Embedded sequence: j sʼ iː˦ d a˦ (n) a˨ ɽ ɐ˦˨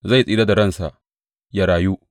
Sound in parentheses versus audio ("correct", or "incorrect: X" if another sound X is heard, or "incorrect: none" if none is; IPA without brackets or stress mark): incorrect: d